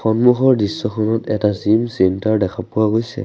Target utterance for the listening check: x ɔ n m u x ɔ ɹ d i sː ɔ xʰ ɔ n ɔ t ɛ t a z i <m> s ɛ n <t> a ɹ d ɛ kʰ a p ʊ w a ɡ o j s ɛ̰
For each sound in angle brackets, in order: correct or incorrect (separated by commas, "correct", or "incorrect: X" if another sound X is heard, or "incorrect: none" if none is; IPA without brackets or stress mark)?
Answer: correct, correct